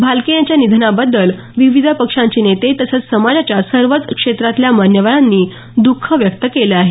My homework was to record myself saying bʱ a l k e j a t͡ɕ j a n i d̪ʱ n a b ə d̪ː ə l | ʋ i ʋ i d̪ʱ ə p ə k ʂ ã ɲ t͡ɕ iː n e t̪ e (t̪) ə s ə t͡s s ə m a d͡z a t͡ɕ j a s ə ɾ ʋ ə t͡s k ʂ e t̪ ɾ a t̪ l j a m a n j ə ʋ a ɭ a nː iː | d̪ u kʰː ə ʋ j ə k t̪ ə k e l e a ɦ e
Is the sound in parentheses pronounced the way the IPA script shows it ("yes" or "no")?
yes